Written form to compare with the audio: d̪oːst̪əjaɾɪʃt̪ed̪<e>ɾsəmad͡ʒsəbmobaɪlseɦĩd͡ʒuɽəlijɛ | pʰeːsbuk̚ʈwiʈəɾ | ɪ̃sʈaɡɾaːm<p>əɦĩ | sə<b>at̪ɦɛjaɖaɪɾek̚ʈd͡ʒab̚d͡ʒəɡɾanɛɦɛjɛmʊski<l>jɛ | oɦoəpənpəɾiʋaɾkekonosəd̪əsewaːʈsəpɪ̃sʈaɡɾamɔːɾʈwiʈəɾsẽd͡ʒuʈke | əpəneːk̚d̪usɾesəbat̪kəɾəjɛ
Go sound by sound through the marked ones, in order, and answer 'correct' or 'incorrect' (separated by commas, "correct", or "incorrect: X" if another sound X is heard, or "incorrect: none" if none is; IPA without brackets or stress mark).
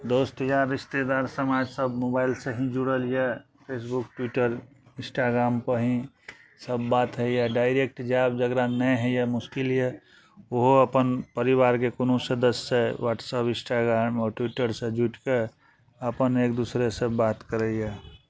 incorrect: a, correct, incorrect: bː, correct